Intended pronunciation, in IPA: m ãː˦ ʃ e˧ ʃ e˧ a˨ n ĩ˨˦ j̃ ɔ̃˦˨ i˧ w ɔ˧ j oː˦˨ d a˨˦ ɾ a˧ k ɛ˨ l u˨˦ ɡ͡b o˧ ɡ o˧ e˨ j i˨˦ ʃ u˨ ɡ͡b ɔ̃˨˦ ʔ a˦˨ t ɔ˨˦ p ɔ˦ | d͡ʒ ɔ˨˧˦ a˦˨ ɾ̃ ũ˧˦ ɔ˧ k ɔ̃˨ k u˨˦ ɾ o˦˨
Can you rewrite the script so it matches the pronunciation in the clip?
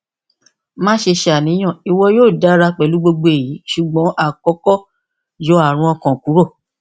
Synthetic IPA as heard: m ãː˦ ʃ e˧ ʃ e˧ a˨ n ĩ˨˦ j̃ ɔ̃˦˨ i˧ w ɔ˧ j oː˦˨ d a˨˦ ɾ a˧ k͡p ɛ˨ l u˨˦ ɡ͡b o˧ ɡ͡b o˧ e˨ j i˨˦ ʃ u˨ ɡ͡b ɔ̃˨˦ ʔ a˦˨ k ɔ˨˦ k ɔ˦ | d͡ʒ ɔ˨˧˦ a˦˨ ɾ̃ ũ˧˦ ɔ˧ k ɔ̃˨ k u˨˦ ɾ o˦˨